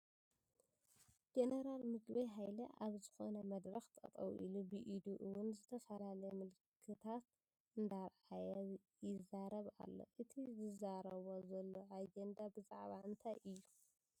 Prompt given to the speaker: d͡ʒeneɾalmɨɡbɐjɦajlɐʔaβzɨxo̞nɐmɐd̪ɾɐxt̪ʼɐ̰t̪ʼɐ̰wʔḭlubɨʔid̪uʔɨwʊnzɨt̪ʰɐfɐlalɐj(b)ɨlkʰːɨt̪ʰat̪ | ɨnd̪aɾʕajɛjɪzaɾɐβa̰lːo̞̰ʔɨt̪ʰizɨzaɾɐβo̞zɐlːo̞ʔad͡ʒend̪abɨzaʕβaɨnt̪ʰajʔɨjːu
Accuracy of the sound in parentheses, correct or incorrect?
incorrect